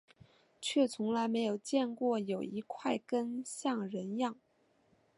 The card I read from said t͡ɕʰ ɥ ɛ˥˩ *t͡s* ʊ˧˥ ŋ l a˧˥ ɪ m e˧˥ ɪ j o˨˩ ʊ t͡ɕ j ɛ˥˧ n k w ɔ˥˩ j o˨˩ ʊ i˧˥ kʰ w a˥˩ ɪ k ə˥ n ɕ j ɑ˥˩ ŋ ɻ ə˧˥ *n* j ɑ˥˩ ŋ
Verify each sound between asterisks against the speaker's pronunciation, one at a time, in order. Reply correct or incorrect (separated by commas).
incorrect, correct